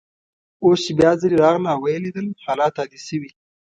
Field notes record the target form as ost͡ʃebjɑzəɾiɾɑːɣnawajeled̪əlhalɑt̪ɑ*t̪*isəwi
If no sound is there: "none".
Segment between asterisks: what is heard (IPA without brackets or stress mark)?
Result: d̪